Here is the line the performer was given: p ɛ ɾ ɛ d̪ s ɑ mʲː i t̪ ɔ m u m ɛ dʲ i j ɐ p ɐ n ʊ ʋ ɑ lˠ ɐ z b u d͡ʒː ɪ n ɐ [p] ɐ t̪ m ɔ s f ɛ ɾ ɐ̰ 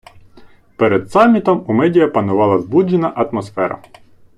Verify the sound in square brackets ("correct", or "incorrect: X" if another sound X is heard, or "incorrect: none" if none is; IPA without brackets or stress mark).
incorrect: ʔ